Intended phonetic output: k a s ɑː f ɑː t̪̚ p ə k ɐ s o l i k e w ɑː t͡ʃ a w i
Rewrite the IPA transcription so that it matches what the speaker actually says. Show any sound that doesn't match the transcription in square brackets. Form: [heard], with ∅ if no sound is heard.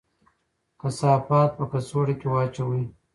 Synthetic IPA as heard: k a s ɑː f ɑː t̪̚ p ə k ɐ s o [ɽ] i k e w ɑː t͡ʃ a w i